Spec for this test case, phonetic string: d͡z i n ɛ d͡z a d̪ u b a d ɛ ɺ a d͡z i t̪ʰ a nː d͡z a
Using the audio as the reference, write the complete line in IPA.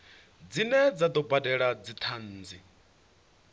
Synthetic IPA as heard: d͡z i n ɛ d͡z a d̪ ɔ b a d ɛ ɺ a d͡z i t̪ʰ a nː d͡z i